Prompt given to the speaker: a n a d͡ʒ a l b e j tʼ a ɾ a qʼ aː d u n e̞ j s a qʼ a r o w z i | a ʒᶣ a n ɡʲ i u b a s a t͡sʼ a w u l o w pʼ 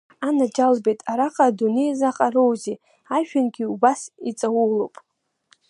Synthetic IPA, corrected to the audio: a n a d͡ʒ a l b e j tʼ a ɾ a qʼ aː d u n e̞ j z a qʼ a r o w z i | a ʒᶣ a n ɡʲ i u b a s i t͡sʼ a w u l o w pʼ